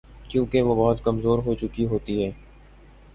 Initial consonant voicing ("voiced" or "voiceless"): voiceless